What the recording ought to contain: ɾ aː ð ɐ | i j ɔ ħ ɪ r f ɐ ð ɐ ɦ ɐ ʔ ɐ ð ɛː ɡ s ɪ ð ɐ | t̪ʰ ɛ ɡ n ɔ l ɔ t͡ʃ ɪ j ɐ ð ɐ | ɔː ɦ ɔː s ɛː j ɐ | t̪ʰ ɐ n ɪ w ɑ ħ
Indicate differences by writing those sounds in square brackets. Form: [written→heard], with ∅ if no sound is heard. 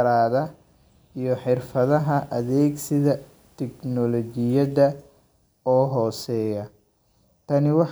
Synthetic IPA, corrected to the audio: ɾ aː ð ɐ | i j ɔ ħ ɪ r f ɐ ð ɐ ɦ ɐ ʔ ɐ ð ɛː ɡ s ɪ ð ɐ | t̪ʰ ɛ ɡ n ɔ l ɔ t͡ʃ ɪ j ɐ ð ɐ | ɔː ɦ ɔː s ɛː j ɐ | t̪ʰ ɐ n ɪ w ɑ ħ